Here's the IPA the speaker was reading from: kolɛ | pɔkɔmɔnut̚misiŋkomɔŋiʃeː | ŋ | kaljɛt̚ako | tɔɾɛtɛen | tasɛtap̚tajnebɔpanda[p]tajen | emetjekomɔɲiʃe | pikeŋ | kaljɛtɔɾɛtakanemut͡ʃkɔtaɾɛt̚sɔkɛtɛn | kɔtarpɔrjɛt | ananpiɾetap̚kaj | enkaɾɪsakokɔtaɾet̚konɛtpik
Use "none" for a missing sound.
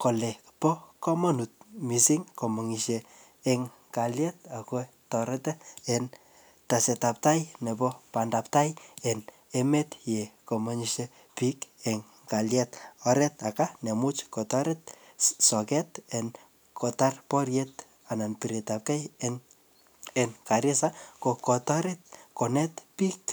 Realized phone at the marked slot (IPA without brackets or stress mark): p